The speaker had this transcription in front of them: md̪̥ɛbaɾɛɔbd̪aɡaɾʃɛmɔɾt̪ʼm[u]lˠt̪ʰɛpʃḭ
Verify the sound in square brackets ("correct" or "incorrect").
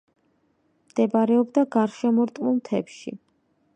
correct